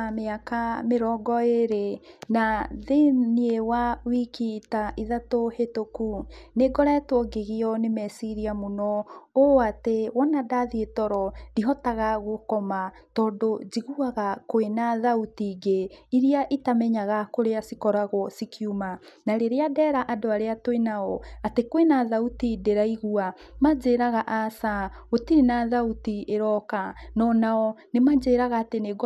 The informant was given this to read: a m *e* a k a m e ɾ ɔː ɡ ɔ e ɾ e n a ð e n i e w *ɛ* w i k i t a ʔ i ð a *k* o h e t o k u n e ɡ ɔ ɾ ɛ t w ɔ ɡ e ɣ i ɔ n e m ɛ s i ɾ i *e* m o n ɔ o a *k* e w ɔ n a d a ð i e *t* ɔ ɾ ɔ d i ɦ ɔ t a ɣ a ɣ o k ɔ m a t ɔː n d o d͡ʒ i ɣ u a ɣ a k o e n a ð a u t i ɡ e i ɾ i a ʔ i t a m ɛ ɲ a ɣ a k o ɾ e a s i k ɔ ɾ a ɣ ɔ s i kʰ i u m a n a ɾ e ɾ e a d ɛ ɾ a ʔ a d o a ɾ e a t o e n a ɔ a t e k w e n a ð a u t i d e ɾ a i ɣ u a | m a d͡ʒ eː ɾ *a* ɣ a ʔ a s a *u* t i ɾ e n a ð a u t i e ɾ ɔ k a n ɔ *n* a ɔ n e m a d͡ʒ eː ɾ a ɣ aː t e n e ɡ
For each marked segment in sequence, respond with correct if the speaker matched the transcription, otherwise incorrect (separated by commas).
correct, incorrect, incorrect, incorrect, incorrect, correct, correct, incorrect, correct